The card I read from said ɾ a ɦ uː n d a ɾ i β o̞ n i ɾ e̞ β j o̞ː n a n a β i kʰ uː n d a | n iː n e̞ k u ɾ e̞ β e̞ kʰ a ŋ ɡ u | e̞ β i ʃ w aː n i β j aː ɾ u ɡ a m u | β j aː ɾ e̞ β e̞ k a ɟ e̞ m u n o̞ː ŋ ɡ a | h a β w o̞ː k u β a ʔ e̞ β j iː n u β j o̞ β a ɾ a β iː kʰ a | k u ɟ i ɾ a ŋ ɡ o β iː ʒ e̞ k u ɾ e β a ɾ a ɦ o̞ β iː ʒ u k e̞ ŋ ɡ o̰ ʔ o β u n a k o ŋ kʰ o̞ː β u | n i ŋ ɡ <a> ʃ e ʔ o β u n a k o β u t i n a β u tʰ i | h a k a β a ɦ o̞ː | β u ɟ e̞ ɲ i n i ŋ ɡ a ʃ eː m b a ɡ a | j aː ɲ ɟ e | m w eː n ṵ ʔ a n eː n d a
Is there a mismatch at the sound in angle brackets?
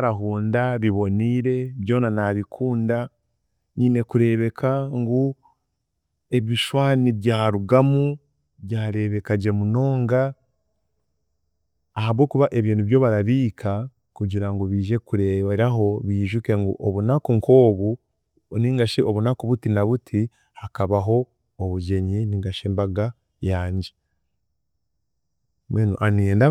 no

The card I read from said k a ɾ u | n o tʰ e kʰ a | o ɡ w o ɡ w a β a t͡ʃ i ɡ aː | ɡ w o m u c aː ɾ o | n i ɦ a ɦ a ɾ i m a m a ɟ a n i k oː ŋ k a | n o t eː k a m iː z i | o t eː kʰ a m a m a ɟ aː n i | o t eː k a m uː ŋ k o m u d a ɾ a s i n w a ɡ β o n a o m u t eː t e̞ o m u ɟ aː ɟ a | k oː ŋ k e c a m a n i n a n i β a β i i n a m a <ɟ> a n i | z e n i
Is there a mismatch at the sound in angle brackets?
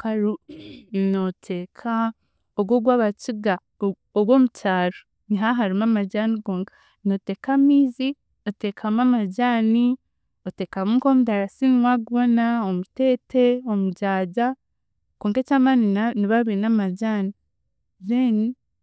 no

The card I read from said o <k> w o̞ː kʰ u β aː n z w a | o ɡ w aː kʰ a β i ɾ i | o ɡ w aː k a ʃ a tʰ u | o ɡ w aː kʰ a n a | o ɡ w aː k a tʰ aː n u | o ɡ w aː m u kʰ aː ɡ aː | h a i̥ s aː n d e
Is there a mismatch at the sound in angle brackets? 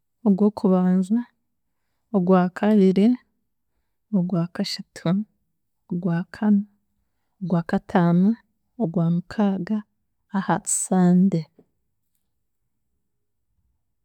yes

